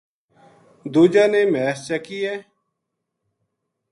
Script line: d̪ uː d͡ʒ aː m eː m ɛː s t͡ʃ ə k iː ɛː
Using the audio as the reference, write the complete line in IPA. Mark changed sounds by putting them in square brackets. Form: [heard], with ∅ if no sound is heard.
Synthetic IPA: d̪ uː d͡ʒ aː [n] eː m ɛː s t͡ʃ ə k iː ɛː